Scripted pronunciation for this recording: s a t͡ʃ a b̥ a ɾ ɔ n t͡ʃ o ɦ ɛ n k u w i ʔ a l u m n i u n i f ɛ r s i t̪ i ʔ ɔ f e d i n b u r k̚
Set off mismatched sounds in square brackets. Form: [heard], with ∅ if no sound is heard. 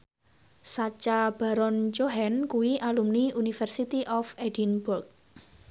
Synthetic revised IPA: s a t͡ʃ a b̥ a ɾ ɔ n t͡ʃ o ɦ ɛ n k u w i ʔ a l u m n i u n i f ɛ r s i t̪ i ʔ ɔ f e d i n b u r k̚